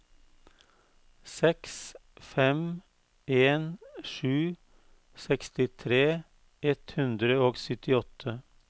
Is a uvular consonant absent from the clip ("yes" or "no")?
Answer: yes